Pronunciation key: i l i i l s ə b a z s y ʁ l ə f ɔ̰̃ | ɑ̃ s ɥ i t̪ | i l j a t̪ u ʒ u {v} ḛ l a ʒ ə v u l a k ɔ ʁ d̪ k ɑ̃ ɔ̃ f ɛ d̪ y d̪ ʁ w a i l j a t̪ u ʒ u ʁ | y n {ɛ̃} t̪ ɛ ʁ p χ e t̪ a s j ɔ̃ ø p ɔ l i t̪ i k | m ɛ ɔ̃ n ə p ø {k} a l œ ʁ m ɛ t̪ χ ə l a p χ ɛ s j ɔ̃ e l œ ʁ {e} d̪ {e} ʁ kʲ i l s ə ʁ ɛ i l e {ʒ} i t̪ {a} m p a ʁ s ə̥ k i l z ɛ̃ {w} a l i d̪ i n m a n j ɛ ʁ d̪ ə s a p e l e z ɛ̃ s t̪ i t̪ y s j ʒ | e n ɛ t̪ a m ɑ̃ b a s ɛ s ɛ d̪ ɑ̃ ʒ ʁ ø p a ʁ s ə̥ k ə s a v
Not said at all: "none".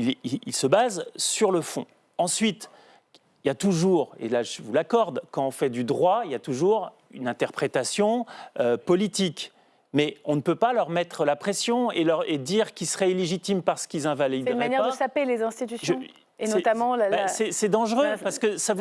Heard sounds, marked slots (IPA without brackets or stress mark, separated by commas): ʁ, ɛ̃, p, e, i, ʒ, i, v